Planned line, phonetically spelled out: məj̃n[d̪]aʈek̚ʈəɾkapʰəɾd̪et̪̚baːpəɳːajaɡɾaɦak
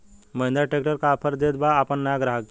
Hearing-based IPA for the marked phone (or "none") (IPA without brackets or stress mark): d̪